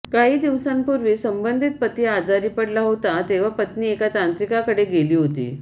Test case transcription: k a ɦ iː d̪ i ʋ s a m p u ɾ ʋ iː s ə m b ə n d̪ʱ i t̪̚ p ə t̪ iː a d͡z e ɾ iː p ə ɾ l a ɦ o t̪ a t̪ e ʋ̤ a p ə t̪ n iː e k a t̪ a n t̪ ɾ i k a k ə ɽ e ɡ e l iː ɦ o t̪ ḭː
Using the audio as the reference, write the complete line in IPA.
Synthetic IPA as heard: k a ɦ iː d̪ i ʋ s a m p u ɾ ʋ iː s ə m b ə n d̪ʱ i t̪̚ p ə t̪ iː a d͡z a ɾ iː p ə ɽ l a ɦ o t̪ a t̪ e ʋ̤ a p ə t̪ n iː e k a t̪ a n t̪ ɾ i k a k ə ɽ e ɡ e l iː ɦ o t̪ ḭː

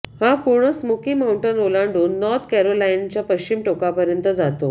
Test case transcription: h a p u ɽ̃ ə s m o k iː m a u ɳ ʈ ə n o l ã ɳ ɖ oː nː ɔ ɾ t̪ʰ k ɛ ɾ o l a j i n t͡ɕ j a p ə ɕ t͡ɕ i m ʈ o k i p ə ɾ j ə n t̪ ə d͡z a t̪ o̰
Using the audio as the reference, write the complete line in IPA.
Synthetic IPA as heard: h a p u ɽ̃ ə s m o k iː m a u ɳ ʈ ə n o l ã ɳ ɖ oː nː ɔ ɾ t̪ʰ k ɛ ɾ o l a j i n t͡ɕ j a p ə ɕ t͡ɕ i m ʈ o k a p ə ɾ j ə n t̪ ə d͡z a t̪ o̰

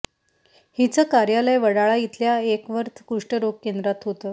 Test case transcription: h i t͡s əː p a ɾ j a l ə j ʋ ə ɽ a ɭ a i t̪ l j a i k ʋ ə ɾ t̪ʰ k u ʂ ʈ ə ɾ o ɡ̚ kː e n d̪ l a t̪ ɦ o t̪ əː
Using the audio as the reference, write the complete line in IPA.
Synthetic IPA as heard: h i t͡s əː k a ɾ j a l ə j ʋ ə ɽ a ɭ a i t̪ l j a e k ʋ ə ɾ t̪ʰ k u ʂ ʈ ə ɾ o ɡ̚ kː e n d̪ ɾ a t̪ ɦ o t̪ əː

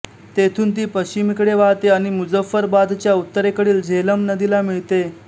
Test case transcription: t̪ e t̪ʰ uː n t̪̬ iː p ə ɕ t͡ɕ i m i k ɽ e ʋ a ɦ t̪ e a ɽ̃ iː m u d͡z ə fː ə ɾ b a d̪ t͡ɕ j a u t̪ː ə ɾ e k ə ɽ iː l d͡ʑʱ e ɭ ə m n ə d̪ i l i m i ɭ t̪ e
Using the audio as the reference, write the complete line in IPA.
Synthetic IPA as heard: t̪ e t̪ʰ uː n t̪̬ iː p ə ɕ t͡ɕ i m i k ɽ e ʋ a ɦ t̪ e a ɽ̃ i m u d͡z ə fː ə ɾ b a d̪ t͡ɕ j a u t̪ː ə ɾ e k ə ɽ iː l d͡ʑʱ e l ə m n ə d̪ i l a m i ɭ t̪ e

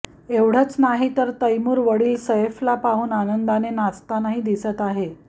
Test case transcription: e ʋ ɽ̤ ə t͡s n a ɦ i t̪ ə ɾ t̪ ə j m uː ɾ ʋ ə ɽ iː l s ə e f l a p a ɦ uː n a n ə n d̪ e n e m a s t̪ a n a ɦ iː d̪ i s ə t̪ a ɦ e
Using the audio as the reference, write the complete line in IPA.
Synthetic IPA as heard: e ʋ ɽ̤ ə t͡s n a ɦ i t̪ ə ɾ t̪ ə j m uː ɾ ʋ ə ɽ iː l s ə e f l a p a ɦ uː n a n ə n d̪ a n e n a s t̪ a n a ɦ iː d̪ i s ə t̪ a ɦ e

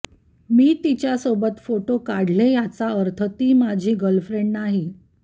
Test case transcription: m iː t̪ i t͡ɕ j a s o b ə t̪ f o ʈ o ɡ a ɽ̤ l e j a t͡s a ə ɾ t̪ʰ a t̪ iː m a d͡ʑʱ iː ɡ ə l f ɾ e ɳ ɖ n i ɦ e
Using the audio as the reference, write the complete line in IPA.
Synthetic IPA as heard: m iː t̪ i t͡ɕ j a s o b ə t̪ f o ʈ o k a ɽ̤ l e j a t͡s a ə ɾ t̪ʰ ə t̪ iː m a d͡ʑʱ iː ɡ ə l f ɾ e ɳ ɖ n a ɦ i

